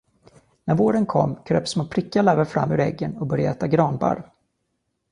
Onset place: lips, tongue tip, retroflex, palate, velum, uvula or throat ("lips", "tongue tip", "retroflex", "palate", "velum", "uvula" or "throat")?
tongue tip